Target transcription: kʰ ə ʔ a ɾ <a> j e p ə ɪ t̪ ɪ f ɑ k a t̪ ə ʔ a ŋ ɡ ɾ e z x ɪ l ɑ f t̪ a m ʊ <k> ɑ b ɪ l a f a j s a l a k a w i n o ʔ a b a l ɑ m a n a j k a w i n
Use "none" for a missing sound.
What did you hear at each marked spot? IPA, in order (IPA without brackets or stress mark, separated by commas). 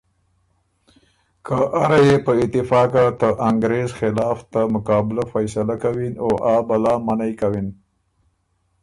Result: a, k